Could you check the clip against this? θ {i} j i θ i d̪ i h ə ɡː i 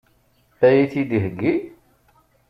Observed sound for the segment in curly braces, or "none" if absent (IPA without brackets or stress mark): æ